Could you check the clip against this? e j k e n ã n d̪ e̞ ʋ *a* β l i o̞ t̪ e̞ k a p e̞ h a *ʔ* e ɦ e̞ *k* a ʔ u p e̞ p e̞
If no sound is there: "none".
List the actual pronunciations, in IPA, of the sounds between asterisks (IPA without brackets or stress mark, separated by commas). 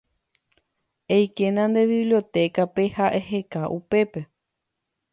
i, ʔ, k